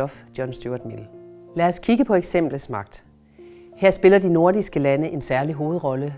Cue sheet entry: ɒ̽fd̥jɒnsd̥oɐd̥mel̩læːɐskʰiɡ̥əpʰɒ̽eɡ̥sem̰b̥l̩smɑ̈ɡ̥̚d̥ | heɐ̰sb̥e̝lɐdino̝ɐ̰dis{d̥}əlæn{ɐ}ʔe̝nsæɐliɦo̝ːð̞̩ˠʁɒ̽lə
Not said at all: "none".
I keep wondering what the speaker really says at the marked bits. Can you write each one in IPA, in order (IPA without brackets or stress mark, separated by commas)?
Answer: ɡ̥, ə